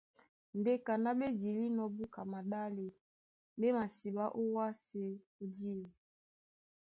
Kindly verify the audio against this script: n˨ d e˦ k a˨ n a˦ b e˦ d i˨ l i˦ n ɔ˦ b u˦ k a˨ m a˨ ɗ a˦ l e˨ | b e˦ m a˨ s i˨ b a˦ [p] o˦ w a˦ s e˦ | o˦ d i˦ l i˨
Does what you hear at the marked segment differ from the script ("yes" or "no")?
yes